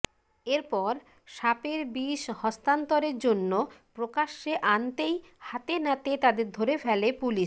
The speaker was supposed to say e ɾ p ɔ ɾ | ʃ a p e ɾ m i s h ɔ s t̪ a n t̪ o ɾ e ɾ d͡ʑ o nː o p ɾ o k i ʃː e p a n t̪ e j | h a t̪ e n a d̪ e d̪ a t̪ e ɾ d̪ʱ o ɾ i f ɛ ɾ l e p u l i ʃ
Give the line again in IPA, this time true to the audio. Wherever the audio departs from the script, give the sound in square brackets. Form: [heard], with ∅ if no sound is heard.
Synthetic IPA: e ɾ p ɔ ɾ | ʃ a p e ɾ [b] i [ʃ] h ɔ s t̪ a n t̪ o ɾ e ɾ d͡ʑ o nː o p ɾ o k [a] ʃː e [ʔ] a n t̪ e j | h a t̪ e n a [t̪] e [t̪] a [d̪] e ɾ d̪ʱ o ɾ [e] f ɛ [∅] l e p u l i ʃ